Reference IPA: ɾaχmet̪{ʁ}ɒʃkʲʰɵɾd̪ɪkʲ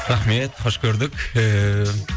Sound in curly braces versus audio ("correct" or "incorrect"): incorrect